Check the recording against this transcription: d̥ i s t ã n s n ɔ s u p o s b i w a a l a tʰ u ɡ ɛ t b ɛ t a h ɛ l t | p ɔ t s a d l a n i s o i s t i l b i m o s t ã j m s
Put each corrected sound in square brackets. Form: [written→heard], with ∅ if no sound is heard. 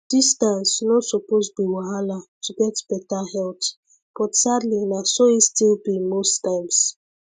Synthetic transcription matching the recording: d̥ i s t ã n s n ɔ s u p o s b i w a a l a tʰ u ɡ ɛ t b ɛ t a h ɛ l t | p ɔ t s a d l [a→i] n [i→a] s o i s t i l b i m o s t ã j m s